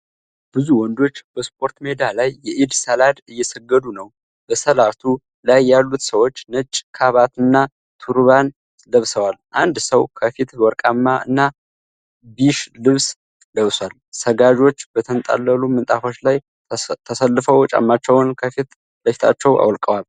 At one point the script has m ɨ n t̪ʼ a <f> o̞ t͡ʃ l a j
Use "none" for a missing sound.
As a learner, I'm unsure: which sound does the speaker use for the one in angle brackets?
f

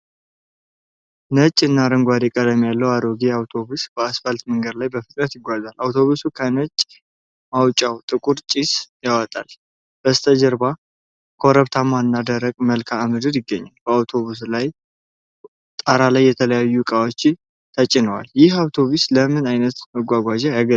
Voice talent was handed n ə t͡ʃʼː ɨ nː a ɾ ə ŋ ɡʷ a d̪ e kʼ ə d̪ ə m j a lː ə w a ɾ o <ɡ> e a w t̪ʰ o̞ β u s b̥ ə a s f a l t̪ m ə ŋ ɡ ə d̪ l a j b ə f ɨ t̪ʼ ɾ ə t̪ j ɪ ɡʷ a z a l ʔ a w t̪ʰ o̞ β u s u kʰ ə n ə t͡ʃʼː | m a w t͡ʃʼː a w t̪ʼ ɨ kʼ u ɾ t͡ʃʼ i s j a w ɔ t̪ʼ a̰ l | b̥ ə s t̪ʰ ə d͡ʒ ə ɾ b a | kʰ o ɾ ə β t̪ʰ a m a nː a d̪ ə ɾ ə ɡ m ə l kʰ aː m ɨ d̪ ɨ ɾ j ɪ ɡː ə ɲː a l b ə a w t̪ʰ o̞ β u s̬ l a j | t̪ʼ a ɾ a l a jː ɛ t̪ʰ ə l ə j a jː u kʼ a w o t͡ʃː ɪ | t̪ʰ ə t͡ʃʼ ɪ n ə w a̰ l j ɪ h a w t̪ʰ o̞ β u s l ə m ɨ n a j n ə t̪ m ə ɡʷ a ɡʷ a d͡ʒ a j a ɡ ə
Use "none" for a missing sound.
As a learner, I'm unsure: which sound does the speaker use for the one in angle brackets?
ɡ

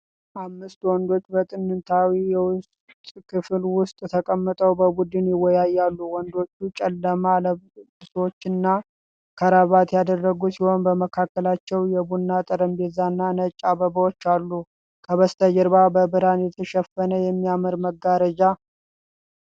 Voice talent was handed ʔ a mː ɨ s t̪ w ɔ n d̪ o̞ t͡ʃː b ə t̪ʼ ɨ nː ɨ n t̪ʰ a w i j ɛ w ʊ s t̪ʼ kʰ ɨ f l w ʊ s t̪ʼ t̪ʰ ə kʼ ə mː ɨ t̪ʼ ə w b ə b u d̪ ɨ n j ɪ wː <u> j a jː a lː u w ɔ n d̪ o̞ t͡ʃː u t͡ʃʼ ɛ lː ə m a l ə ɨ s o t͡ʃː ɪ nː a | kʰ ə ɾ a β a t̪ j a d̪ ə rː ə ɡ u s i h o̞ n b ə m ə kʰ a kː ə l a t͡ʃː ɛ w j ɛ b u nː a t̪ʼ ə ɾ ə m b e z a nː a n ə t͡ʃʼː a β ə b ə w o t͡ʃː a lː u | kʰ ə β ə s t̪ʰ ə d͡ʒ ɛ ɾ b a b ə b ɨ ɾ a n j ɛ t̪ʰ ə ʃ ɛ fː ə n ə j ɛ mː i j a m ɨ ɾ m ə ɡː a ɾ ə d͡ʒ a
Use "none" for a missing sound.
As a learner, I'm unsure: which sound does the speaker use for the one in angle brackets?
ɔ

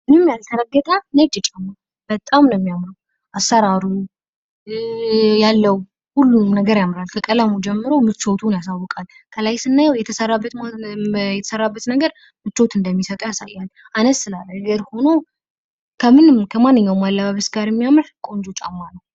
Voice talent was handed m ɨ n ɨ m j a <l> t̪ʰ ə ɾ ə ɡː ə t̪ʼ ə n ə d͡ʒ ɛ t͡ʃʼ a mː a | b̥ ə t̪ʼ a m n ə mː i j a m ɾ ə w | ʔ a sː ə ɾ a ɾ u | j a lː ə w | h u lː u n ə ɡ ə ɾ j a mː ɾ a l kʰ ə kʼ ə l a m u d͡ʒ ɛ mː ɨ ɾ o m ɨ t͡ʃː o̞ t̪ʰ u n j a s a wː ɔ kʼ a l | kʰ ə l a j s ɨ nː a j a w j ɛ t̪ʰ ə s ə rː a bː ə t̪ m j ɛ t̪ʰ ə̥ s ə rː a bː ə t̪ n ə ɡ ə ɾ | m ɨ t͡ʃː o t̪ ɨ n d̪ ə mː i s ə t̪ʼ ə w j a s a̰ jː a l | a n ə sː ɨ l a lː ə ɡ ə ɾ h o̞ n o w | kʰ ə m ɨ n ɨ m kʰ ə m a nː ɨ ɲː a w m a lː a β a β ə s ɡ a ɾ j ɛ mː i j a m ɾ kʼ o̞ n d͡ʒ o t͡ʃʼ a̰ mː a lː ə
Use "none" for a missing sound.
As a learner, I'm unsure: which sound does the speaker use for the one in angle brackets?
l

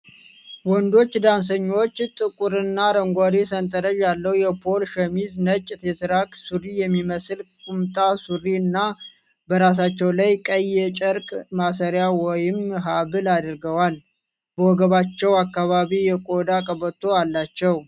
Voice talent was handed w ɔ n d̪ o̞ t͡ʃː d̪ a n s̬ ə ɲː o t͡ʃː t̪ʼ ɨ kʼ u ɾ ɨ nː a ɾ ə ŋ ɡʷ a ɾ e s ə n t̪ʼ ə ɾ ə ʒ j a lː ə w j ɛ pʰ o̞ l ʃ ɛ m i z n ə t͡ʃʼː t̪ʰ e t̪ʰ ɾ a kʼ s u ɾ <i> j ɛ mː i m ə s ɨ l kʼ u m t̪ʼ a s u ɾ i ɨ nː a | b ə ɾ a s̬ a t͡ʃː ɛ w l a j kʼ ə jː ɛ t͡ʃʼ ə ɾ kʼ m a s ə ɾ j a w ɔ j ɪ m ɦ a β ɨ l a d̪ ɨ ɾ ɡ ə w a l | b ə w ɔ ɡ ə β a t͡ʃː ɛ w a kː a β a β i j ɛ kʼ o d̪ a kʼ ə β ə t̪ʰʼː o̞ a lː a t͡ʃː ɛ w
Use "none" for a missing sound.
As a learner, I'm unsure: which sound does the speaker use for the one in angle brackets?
i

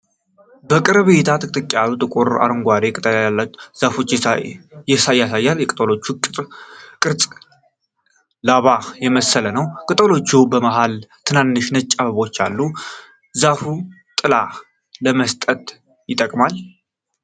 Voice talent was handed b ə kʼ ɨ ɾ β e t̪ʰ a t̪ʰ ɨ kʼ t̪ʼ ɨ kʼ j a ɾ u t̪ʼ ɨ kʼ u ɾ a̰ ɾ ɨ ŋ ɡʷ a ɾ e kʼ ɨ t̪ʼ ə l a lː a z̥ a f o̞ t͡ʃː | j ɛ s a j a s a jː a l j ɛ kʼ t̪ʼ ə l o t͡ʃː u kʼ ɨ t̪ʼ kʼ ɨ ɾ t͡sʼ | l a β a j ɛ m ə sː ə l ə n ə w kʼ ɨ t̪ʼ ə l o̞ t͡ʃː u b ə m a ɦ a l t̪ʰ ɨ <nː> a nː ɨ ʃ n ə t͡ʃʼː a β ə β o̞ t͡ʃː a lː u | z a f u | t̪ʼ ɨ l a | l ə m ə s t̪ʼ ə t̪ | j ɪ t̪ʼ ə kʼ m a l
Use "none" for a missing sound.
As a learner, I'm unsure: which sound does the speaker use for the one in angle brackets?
n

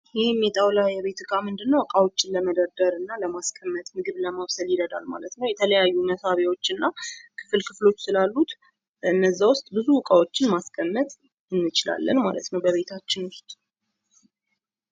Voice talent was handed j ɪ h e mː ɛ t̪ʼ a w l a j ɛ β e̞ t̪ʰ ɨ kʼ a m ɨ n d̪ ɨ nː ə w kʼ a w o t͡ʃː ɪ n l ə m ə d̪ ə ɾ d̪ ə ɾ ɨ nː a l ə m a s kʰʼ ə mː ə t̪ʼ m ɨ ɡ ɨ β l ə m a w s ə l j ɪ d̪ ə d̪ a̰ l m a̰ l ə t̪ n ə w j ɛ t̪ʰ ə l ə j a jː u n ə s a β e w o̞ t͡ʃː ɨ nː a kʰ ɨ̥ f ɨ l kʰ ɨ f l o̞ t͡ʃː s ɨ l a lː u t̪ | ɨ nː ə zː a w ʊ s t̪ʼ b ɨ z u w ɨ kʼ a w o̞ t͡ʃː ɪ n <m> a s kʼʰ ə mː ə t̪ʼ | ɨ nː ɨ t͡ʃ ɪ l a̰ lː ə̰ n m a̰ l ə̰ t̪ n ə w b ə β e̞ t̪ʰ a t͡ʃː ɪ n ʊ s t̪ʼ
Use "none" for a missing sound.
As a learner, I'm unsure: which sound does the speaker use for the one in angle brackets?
m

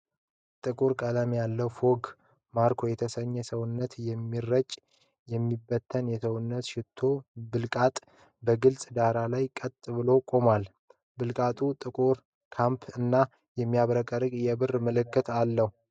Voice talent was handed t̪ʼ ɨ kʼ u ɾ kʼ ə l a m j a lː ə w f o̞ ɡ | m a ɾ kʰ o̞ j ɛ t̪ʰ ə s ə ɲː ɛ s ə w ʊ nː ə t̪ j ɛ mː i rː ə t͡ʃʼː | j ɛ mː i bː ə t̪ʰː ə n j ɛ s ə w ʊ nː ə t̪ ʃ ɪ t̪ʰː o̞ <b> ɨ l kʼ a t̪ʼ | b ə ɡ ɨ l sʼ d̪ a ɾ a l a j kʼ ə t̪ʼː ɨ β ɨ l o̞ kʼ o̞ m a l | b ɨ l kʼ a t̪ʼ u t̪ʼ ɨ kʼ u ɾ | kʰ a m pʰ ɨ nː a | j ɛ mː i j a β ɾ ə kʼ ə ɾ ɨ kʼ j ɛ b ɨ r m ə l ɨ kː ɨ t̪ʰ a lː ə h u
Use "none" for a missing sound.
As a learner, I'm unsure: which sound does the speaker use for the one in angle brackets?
b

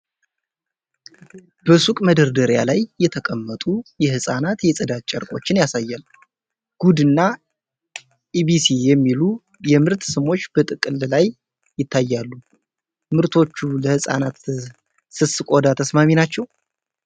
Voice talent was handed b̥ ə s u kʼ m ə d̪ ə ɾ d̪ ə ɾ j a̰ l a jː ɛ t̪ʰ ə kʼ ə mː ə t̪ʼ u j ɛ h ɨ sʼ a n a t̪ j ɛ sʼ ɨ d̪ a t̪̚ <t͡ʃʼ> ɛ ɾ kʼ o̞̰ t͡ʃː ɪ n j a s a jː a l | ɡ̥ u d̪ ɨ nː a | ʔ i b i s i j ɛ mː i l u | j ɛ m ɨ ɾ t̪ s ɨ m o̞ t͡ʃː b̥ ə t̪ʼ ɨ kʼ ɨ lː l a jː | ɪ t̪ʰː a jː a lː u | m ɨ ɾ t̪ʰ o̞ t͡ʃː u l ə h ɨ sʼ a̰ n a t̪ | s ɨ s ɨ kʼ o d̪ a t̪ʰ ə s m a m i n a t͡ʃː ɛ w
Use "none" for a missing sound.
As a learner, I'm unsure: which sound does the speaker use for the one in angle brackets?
t͡ʃʼ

